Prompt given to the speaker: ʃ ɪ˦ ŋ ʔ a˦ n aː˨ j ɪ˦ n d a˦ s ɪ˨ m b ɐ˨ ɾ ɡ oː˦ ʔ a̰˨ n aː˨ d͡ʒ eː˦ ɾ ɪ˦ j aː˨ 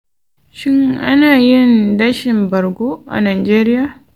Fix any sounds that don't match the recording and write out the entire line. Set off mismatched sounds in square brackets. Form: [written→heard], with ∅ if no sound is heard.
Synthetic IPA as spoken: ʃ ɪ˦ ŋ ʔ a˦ n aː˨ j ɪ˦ n d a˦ [s→ʃ] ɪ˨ m b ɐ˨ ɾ ɡ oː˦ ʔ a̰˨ n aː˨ d͡ʒ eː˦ ɾ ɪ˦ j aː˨

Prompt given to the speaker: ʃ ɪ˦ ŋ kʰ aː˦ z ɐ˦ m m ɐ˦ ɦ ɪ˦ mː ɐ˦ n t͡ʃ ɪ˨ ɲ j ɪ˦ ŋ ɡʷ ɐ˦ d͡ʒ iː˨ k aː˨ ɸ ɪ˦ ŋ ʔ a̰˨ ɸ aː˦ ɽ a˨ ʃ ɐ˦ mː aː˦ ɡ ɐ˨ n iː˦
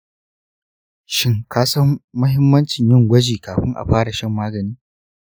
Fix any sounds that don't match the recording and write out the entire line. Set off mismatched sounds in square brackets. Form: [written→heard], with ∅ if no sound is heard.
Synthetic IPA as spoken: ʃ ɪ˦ ŋ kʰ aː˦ [z→s] ɐ˦ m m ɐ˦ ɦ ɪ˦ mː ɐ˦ n t͡ʃ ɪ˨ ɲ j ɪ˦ ŋ ɡʷ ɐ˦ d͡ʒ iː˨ k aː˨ ɸ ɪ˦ ŋ ʔ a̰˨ ɸ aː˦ ɽ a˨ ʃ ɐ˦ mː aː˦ ɡ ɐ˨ n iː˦

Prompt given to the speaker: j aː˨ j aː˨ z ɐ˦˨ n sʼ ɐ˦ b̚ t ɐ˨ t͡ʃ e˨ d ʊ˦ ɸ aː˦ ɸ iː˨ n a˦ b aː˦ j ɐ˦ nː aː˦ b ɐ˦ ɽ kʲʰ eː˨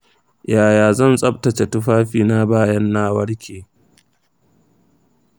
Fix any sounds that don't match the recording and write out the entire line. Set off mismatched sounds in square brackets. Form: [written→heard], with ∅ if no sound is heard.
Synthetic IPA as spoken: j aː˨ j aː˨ z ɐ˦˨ n sʼ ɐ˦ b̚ t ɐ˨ t͡ʃ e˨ [d→t] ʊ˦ ɸ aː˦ ɸ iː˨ n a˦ b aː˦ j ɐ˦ nː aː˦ [b→w] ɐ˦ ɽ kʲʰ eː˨

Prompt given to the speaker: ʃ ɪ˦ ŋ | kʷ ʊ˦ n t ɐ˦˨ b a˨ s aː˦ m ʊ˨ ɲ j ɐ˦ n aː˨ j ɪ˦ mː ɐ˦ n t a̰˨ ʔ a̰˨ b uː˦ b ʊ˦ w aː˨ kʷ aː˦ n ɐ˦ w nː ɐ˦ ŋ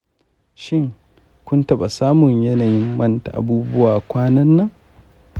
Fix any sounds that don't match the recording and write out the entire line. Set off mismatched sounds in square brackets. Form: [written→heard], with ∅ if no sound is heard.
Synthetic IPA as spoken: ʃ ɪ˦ ŋ | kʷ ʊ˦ n t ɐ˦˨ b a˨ s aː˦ m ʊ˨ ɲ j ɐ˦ n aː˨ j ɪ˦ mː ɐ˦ n t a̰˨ ʔ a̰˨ b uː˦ b ʊ˦ w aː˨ kʷ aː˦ n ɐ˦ [w→∅] nː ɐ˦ ŋ

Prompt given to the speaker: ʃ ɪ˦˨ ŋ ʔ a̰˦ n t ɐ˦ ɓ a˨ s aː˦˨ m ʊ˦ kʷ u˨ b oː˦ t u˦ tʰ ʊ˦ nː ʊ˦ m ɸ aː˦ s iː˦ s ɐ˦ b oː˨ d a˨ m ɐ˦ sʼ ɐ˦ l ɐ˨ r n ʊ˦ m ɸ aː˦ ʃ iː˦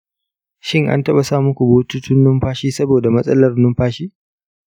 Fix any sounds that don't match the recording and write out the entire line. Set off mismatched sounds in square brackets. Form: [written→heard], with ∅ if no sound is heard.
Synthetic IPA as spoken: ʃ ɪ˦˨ ŋ ʔ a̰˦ n t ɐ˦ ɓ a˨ s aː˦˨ m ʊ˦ kʷ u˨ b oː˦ t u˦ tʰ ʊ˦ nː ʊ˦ m ɸ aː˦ [s→ʃ] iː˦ s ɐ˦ b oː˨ d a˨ m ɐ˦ sʼ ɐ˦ l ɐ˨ r n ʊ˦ m ɸ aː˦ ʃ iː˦

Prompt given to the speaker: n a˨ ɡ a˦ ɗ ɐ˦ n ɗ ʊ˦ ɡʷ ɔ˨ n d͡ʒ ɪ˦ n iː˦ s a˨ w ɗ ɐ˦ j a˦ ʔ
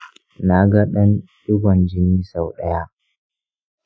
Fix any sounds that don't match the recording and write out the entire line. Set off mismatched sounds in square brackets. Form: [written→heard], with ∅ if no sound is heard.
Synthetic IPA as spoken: n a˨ ɡ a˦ ɗ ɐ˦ n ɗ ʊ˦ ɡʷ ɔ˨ n d͡ʒ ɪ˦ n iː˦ s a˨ w ɗ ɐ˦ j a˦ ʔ

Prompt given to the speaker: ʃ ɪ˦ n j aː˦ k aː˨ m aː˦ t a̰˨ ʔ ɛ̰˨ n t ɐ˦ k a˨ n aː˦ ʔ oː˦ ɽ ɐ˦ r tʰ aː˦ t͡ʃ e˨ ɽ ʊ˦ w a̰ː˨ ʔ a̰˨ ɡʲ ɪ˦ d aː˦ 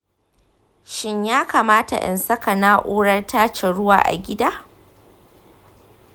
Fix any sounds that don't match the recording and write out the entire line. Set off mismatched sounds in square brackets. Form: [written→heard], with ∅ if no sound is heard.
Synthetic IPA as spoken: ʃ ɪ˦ [n→ɲ] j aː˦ k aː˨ m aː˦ t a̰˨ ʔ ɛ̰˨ n [t→s] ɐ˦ k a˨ n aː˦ ʔ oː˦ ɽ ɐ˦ r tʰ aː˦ t͡ʃ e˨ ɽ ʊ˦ w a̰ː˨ ʔ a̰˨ ɡʲ ɪ˦ d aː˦

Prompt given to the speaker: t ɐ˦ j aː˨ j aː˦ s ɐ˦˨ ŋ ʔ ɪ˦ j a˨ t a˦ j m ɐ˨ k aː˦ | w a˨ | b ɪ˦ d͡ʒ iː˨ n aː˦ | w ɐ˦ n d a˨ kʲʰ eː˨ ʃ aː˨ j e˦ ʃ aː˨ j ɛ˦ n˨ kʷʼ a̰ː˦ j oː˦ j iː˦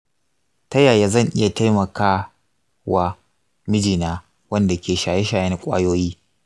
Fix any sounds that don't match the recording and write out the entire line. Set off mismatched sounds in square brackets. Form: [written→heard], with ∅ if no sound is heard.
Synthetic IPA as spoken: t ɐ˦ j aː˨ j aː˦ [s→z] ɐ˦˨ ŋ ʔ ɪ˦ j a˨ t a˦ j m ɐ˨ k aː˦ | w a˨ | [b→m] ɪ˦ d͡ʒ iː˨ n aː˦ | w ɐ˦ n d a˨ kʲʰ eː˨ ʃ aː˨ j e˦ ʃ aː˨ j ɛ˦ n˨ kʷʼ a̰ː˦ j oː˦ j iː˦

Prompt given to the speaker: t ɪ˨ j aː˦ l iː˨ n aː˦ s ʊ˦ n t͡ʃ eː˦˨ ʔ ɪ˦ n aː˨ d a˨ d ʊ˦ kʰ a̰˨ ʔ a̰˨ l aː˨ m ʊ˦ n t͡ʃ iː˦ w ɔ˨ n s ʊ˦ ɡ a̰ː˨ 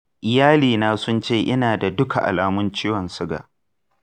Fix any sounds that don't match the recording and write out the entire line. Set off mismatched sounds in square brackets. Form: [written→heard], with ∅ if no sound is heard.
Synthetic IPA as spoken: [t→ʔ] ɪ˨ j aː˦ l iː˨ n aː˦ s ʊ˦ n t͡ʃ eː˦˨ ʔ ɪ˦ n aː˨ d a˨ d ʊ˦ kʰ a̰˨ ʔ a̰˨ l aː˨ m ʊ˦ n t͡ʃ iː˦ w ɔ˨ n s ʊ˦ ɡ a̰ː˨

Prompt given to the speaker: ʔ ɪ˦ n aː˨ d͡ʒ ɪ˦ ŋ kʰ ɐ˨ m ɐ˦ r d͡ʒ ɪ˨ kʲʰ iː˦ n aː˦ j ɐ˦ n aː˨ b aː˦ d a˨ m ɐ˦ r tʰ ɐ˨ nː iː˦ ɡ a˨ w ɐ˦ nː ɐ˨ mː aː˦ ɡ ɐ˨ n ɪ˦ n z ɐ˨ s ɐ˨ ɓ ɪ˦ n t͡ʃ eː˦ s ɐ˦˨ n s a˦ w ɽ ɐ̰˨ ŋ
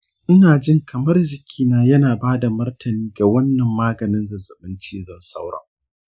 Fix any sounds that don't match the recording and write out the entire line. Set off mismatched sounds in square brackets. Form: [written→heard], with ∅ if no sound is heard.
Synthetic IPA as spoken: ʔ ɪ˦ n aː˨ d͡ʒ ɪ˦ ŋ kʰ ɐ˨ m ɐ˦ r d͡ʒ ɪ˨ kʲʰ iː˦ n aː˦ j ɐ˦ n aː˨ b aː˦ d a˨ m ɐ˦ r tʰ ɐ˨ [nː→n] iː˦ ɡ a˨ w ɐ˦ nː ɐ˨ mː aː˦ ɡ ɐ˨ n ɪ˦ n z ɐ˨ [s→z] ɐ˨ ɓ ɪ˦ n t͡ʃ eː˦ [s→z] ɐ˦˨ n s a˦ w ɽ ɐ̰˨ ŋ

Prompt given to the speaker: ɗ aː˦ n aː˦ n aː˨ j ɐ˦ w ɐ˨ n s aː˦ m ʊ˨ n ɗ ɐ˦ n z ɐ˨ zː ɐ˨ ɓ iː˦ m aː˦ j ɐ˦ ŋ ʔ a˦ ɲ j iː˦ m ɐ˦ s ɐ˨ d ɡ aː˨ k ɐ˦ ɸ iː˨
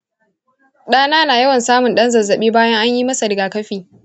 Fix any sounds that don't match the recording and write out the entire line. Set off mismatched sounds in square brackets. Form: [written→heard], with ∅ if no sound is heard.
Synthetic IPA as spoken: ɗ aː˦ n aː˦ n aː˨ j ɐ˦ w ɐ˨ n s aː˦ m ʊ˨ n ɗ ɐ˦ n z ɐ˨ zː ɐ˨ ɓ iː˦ [m→b] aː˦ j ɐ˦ ŋ ʔ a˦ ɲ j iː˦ m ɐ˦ s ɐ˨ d ɡ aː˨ k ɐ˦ ɸ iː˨

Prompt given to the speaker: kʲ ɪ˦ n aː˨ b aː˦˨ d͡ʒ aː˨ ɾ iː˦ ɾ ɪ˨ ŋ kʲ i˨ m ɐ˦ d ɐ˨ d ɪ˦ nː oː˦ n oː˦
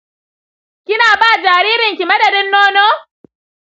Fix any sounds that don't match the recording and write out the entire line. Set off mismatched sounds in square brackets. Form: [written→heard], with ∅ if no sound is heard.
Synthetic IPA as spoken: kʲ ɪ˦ n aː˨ b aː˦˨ d͡ʒ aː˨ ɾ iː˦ ɾ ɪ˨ ŋ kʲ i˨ m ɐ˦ d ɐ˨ d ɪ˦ nː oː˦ n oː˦

